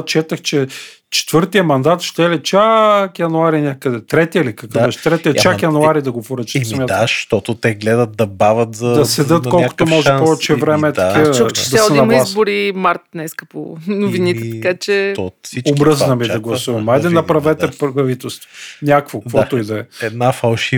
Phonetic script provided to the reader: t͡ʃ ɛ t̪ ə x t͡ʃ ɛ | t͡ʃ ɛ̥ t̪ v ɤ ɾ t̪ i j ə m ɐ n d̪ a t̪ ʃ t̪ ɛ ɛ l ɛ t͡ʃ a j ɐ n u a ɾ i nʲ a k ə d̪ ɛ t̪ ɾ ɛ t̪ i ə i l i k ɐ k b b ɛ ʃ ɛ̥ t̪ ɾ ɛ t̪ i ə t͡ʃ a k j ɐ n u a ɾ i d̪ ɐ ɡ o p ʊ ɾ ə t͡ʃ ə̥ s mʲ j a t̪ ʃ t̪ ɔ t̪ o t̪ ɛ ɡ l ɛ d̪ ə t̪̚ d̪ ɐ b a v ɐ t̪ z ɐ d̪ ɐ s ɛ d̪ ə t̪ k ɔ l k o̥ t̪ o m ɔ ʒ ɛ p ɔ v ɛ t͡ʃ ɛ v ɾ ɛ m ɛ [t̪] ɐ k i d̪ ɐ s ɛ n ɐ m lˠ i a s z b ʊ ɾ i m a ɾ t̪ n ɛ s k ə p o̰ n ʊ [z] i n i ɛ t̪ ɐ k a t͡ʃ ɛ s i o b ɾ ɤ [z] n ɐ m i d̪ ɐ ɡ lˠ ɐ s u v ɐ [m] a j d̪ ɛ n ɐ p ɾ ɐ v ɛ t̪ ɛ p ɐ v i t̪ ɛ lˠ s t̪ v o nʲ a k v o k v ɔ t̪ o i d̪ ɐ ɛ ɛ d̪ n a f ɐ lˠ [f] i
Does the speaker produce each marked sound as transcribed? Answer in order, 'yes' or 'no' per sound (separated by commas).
yes, no, yes, yes, no